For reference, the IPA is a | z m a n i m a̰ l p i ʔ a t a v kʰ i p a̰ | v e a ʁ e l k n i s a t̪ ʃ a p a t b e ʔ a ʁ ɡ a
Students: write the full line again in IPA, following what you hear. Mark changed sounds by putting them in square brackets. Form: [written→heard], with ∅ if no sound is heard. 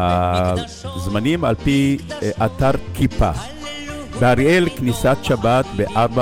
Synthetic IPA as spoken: a | z m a n i m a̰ l p i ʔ a t a [v→ʁ] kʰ i p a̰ | [v→b] e a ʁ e l k n i s a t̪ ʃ a [p→b] a t b e ʔ a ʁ [ɡ→b] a